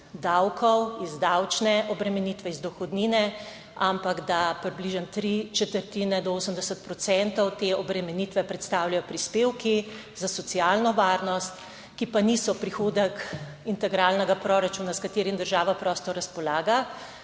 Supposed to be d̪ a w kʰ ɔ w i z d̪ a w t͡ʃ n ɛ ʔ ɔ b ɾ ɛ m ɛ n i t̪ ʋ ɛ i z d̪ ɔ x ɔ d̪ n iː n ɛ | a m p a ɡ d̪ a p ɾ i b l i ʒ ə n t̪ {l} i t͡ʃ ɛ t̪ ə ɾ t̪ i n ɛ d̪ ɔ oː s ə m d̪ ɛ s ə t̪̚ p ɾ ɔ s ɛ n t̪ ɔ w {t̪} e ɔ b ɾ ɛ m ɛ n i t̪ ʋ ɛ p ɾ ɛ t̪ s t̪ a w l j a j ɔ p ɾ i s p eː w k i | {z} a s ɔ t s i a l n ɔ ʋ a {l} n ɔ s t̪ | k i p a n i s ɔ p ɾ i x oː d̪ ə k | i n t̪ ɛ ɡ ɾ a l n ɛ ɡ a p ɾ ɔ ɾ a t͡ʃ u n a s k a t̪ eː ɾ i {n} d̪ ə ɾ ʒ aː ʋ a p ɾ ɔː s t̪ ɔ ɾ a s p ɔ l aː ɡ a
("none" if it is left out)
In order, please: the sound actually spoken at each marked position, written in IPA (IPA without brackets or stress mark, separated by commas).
ɾ, t̪, z, ɾ, m